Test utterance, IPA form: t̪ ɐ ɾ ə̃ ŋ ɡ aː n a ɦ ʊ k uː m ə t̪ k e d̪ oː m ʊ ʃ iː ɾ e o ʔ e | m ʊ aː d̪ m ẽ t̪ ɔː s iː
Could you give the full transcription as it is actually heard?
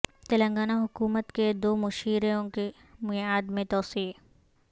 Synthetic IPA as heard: t̪ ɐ l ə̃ ŋ ɡ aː n a ɦ ʊ k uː m ə t̪ k e d̪ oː m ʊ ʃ iː ɾ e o k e | m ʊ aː d̪ m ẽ t̪ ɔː s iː